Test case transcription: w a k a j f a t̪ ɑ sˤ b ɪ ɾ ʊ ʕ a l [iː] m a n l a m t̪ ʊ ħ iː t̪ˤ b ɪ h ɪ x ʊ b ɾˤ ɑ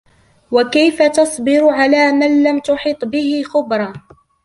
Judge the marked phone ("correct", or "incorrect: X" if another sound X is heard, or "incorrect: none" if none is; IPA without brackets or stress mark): incorrect: aː